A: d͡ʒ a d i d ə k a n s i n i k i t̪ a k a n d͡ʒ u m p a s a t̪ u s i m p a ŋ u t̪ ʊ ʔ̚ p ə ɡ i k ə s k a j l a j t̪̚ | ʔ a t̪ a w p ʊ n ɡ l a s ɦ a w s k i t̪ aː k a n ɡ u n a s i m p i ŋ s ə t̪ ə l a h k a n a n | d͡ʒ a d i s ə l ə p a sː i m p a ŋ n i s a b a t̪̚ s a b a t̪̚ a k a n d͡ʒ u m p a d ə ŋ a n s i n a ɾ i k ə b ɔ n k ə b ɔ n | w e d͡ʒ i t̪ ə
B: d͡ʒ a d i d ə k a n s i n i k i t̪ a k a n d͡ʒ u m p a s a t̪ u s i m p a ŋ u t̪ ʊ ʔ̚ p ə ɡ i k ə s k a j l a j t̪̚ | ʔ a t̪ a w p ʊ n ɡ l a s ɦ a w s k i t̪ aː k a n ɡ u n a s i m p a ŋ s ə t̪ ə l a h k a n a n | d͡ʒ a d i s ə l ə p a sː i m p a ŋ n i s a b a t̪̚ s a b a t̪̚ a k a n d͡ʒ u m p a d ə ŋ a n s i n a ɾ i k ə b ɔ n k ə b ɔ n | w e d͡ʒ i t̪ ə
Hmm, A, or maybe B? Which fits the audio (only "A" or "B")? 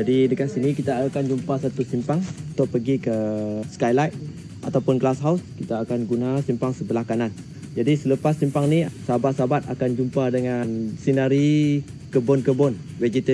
B